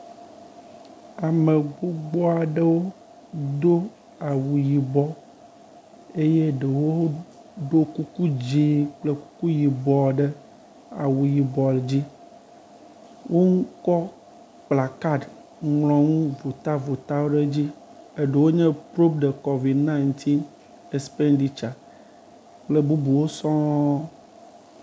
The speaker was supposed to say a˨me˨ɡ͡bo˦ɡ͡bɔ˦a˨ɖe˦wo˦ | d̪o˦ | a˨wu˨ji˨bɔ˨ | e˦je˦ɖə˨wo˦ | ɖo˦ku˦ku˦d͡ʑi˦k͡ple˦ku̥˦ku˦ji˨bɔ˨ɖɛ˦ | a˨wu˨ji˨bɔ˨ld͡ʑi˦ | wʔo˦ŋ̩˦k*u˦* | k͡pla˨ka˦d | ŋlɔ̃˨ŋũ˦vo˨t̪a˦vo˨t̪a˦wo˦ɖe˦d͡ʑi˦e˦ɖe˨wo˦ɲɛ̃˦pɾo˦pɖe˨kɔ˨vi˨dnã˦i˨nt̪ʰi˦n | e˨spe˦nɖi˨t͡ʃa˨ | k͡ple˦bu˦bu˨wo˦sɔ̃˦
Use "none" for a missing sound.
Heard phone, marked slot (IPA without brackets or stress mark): ɔ˦